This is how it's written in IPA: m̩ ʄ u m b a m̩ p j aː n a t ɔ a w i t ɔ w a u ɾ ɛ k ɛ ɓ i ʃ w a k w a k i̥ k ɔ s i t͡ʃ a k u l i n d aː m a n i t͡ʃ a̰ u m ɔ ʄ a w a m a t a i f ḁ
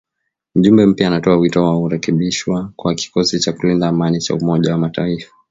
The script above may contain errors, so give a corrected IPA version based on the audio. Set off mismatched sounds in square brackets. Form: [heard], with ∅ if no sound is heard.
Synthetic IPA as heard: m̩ ʄ u m b [ɛ] m̩ p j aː n a t ɔ a w i t ɔ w a u ɾ ɛ k ɛ ɓ i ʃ w a k w a k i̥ k ɔ s i t͡ʃ a k u l i n d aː m a n i t͡ʃ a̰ u m ɔ ʄ a w a m a t a i f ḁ

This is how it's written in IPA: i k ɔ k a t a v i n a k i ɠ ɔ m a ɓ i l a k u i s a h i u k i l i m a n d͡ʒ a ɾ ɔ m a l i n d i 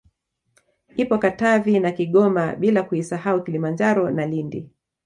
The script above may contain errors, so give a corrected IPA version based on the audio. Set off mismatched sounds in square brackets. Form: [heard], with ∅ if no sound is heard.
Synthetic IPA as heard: i [p] ɔ k a t a v i n a k i ɠ ɔ m a ɓ i l a k u i s a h [a] u k i l i m a n d͡ʒ a ɾ ɔ [n] a l i n d i

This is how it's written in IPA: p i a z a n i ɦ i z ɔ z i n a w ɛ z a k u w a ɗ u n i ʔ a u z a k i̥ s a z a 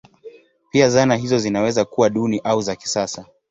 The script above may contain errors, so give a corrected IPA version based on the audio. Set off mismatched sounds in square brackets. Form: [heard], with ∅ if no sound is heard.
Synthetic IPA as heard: p i a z a n [a] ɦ i z ɔ z i n a w ɛ z a k u w a ɗ u n i ʔ a u z a k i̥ s a [s] a

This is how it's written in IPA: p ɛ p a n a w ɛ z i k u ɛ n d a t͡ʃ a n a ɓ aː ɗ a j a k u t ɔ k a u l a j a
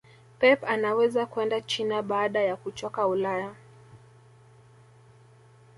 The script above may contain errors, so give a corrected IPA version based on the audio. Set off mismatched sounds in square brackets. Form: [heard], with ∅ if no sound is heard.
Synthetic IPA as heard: p ɛ p a n a w ɛ z [a] k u ɛ n d a t͡ʃ [i] n a ɓ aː ɗ a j a k u [t͡ʃ] ɔ k a u l a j a

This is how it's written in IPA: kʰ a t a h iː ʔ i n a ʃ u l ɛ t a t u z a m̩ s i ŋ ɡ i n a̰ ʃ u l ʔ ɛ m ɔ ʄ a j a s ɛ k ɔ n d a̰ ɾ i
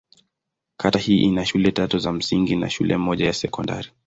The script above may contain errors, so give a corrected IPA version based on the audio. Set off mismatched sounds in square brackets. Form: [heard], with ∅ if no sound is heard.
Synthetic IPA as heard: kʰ a t a h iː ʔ i n a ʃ u l ɛ t a t u z a m̩ s i ŋ ɡ i n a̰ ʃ u l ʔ ɛ m ɔ ʄ a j a s ɛ k ɔ n d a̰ ɾ i

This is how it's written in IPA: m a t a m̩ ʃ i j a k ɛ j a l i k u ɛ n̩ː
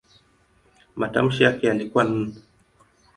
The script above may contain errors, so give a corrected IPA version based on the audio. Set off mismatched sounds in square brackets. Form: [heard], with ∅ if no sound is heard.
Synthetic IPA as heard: m a t a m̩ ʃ i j a k ɛ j a l i k u [a] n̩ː

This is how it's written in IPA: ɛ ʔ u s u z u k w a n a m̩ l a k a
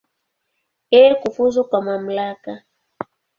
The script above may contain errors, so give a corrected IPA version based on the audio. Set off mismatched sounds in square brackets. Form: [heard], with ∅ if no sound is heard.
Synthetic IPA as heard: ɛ [k] u [f] u z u k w a [m] a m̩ l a k a

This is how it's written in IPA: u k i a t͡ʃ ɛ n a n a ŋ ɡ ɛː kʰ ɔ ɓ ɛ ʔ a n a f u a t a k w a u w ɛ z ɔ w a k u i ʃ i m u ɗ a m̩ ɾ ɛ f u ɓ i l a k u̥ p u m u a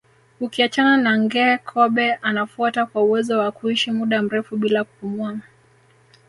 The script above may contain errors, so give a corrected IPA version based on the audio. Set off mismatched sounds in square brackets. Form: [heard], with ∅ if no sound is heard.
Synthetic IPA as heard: u k i a t͡ʃ [a] n a n a ŋ ɡ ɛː kʰ ɔ ɓ ɛ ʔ a n a f u a t a k w a u w ɛ z ɔ w a k u i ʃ i m u ɗ a m̩ ɾ ɛ f u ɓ i l a k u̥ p u m u a

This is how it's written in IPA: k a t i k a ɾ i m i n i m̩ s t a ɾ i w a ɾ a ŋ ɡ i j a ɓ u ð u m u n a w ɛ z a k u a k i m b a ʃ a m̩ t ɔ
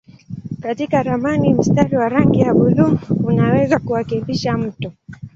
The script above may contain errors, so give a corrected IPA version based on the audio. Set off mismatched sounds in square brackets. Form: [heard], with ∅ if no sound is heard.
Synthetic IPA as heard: k a t i k a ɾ [a] m [a] n i m̩ s t a ɾ i w a ɾ a ŋ ɡ i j a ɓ u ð u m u n a w ɛ z a k u a k i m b [i] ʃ a m̩ t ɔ

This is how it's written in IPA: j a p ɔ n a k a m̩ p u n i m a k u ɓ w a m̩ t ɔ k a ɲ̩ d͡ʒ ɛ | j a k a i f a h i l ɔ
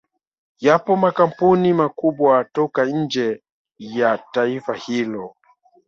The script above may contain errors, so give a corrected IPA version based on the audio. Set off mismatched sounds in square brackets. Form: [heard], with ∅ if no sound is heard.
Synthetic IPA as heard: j a p ɔ [m] a k a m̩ p u n i m a k u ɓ w a [∅] t ɔ k a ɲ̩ d͡ʒ ɛ | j a [t] a i f a h i l ɔ

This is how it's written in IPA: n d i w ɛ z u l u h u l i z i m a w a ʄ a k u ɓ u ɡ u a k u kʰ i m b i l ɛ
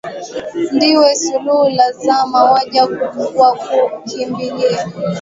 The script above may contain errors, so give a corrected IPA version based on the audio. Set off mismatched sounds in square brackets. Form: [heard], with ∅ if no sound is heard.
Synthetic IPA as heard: n d i w ɛ [s] u l u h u l [a] z [a] m a w a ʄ a k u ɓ u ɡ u a k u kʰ i m b i l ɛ

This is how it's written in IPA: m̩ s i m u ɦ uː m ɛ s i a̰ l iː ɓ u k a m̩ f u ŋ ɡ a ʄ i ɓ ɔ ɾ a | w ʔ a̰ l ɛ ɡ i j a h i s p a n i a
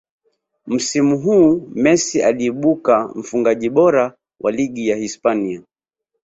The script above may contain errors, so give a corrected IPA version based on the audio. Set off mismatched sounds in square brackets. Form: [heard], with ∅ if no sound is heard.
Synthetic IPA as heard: m̩ s i m u ɦ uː m ɛ s i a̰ l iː ɓ u k a m̩ f u ŋ ɡ a ʄ i ɓ ɔ ɾ a | w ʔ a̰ l [i] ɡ i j a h i s p a n i a

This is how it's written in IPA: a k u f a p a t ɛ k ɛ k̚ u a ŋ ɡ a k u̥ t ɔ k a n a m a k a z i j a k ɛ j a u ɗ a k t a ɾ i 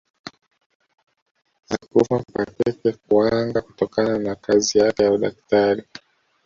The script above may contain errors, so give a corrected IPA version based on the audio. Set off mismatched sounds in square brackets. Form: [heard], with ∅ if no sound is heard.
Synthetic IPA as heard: a k u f a p a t ɛ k ɛ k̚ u a ŋ ɡ a k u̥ t ɔ k a n a [n] a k a z i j a k ɛ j a u ɗ a k t a ɾ i

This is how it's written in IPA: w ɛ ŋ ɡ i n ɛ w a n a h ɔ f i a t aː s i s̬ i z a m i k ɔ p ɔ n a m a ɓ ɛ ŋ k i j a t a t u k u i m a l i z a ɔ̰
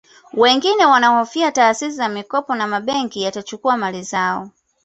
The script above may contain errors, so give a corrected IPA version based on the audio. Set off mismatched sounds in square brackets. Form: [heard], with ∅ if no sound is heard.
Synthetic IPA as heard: w ɛ ŋ ɡ i n ɛ w a n a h ɔ f i a t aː s i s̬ i z a m i k ɔ p ɔ n a m a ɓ ɛ ŋ k i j a t a [t͡ʃ] u k u [a] m a l i z a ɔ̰

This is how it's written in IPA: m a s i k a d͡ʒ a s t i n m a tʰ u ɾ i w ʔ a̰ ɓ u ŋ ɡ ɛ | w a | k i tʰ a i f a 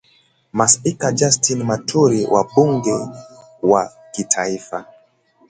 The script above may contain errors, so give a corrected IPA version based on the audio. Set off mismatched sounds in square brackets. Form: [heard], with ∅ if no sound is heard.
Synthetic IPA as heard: m a s i k a d͡ʒ a s t i n m a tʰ u ɾ i w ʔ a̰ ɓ u ŋ ɡ ɛ | w a | k i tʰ a i f a

